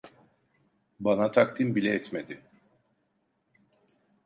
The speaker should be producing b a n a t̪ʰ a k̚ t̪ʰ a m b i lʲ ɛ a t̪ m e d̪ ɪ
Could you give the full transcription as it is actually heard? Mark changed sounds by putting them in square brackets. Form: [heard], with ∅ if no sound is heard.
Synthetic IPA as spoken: b a n a t̪ʰ a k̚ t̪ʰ [i] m b i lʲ ɛ [ɛ] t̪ m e d̪ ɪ